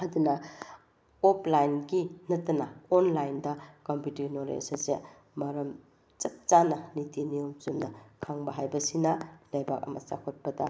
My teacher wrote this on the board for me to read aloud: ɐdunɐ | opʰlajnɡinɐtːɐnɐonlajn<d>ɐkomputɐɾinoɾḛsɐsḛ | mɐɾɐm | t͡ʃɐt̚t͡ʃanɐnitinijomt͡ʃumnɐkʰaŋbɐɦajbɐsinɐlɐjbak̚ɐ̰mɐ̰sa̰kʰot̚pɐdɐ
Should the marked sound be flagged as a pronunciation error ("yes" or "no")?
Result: no